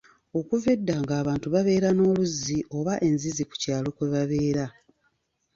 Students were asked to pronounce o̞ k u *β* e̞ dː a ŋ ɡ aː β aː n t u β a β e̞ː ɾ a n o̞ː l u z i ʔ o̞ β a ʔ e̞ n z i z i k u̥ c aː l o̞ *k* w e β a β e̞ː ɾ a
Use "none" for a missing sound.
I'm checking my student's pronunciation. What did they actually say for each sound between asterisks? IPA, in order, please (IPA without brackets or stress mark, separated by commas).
v, k